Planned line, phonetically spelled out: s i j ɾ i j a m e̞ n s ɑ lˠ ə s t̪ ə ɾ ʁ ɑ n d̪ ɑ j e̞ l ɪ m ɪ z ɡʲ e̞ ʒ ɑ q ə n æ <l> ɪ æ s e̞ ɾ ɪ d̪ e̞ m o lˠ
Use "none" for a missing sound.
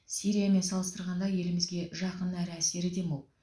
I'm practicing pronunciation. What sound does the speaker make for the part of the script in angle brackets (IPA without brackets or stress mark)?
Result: ɾ